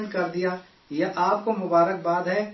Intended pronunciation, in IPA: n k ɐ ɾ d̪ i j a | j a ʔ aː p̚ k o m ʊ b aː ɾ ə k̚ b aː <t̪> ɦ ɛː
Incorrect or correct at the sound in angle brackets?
incorrect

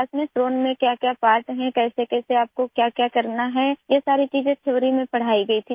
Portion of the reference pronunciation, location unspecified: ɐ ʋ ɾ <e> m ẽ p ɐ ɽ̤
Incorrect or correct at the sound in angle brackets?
incorrect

